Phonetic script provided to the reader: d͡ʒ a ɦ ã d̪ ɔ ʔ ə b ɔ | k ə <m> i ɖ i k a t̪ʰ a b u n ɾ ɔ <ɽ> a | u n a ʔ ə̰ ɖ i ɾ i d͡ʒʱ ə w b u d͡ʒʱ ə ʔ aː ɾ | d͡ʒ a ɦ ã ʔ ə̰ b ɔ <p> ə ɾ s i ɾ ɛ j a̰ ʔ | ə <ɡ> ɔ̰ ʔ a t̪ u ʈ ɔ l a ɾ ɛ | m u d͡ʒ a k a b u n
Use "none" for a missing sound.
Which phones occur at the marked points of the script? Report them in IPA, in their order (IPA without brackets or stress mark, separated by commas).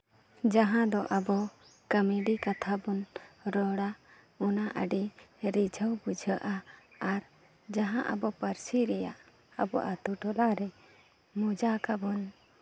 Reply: m, ɽ, p, b